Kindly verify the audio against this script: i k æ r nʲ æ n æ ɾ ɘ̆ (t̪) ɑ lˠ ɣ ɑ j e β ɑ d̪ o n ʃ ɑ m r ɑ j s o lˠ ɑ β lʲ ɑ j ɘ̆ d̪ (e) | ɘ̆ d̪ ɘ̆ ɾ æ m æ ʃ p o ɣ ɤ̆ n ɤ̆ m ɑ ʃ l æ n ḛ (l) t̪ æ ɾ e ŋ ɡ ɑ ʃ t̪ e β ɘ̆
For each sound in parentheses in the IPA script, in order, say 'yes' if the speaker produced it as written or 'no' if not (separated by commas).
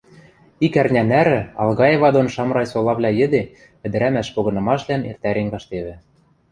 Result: no, yes, no